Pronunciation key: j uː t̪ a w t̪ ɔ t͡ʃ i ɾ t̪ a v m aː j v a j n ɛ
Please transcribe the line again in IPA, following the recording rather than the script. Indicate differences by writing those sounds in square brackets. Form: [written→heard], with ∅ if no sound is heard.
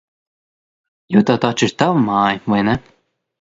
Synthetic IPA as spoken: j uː t̪ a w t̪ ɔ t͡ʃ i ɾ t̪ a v m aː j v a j n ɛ